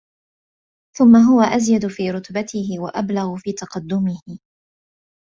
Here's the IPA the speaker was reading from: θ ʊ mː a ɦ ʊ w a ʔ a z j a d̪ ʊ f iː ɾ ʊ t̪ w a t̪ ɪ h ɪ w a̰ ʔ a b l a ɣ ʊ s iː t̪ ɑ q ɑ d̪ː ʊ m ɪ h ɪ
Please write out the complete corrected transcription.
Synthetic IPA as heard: θ ʊ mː a ɦ ʊ w a ʔ a z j a d̪ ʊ f iː ɾ ʊ t̪ b a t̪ ɪ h ɪ w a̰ ʔ a b l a ɣ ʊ f iː t̪ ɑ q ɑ d̪ː ʊ m ɪ h ɪ